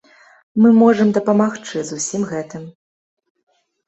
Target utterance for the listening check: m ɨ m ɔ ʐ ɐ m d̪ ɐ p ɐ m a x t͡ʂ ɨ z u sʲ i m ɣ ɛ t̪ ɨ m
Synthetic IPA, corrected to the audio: m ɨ m ɔ ʐ ɐ m d̪ ɐ p ɐ m a x t͡ʂ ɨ z u sʲ i m ɣ ɛ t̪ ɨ m